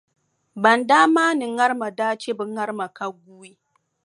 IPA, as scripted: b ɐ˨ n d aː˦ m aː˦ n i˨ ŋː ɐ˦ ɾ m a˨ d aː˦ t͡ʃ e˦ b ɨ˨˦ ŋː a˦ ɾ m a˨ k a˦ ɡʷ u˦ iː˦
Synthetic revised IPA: b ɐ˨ n d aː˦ m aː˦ n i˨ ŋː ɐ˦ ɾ m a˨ d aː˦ t͡ʃ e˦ b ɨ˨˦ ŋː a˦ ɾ m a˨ k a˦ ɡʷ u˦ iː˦

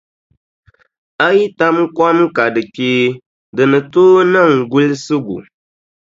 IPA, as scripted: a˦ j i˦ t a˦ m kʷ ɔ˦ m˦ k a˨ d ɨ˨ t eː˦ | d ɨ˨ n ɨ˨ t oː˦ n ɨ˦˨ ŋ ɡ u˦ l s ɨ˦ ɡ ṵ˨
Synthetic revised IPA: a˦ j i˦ t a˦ m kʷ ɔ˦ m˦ k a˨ d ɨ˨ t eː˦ | d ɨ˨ n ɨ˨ t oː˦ n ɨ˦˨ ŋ ɡ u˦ l s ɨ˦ ɡ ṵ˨

